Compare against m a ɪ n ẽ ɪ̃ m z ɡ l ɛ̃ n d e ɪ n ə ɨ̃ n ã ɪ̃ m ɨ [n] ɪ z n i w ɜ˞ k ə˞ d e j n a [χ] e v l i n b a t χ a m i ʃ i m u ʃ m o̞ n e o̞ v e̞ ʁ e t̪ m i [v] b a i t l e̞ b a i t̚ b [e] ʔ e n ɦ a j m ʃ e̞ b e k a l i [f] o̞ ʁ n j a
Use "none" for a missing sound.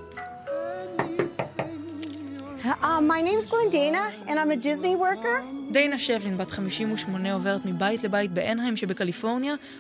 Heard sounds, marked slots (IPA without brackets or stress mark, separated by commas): d, ʃ, none, e, f